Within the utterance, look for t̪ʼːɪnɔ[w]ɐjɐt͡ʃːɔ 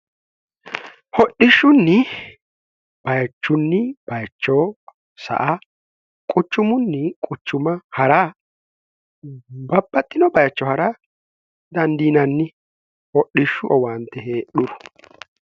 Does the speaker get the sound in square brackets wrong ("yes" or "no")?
yes